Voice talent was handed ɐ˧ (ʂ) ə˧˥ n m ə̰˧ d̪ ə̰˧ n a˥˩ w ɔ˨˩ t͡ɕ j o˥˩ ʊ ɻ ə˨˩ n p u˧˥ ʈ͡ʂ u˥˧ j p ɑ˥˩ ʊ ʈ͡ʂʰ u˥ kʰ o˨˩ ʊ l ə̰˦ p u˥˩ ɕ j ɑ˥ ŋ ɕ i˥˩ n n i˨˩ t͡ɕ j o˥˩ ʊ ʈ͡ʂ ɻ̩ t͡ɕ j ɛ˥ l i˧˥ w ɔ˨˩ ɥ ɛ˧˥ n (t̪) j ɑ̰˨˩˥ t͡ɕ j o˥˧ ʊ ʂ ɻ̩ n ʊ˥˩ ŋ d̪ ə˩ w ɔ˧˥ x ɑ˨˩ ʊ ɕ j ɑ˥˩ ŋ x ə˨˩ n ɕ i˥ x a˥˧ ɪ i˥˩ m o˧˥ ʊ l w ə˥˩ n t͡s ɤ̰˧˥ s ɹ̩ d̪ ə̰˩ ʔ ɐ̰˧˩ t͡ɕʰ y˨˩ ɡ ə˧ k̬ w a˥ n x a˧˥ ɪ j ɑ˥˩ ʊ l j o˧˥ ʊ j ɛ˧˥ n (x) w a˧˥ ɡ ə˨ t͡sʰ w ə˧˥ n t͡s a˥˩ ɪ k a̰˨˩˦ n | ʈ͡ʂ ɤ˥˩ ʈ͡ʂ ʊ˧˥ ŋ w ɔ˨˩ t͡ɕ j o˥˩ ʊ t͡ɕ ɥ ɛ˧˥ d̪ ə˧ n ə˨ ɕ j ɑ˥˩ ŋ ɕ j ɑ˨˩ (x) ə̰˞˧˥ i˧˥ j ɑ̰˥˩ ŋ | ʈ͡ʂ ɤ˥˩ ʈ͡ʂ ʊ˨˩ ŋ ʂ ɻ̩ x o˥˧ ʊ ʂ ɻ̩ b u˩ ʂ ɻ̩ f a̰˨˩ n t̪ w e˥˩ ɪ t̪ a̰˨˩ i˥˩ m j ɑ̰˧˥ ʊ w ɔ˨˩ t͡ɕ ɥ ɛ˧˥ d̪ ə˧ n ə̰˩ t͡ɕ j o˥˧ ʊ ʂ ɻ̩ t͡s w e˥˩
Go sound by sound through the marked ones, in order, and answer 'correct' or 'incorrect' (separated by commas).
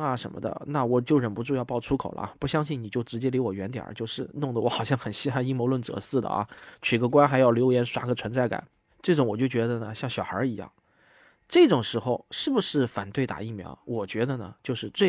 correct, correct, incorrect, correct